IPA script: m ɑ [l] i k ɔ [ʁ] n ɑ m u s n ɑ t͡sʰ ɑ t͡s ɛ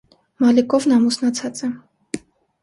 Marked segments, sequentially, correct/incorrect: correct, incorrect

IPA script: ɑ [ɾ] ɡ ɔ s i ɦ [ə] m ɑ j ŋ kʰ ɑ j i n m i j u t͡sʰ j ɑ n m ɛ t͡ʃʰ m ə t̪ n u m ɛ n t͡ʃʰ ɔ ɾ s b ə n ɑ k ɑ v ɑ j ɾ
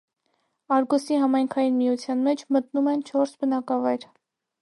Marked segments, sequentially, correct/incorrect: correct, incorrect

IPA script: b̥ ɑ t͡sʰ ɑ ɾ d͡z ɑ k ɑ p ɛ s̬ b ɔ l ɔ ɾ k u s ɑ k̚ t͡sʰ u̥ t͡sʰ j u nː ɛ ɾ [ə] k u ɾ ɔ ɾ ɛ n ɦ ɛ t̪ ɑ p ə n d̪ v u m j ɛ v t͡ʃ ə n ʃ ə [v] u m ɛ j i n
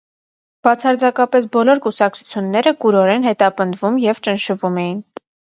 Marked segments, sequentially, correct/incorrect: correct, correct

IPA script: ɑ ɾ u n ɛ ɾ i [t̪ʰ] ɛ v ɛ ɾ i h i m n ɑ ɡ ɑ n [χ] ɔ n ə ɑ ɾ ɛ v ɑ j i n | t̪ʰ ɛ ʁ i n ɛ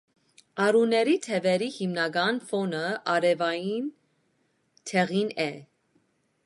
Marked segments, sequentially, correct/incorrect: correct, incorrect

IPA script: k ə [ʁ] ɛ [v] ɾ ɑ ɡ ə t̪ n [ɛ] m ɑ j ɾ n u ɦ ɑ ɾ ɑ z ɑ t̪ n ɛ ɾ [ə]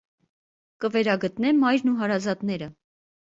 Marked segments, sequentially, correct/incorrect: incorrect, incorrect, correct, correct

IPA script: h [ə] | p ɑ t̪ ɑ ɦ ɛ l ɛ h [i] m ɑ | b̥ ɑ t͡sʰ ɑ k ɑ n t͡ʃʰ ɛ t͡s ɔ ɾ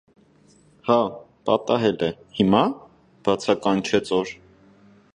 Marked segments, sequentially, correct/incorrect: incorrect, correct

